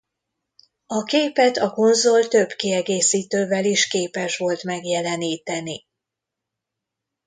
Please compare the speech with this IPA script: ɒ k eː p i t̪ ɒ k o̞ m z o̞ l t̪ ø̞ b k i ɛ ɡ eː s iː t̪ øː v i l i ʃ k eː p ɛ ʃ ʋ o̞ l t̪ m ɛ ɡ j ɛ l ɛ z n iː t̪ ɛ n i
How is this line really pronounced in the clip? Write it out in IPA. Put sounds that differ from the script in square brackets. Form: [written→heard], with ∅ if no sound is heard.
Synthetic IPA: ɒ k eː p [i→ɛ] t̪ ɒ k o̞ [m→n] z o̞ l t̪ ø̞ b k i ɛ ɡ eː s iː t̪ øː v [i→ɛ] l i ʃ k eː p ɛ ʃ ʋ o̞ l t̪ m ɛ ɡ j ɛ l ɛ [z→∅] n iː t̪ ɛ n i